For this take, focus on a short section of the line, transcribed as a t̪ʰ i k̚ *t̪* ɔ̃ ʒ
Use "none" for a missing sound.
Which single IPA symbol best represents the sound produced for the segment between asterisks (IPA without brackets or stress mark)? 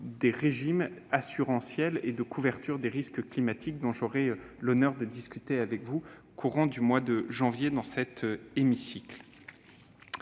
d̪